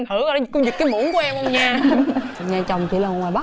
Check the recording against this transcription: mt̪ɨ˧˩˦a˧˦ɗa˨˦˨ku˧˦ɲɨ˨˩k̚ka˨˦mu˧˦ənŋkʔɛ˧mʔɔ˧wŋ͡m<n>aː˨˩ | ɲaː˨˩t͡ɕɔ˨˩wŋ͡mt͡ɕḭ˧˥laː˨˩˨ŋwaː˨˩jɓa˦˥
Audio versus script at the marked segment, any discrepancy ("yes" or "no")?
yes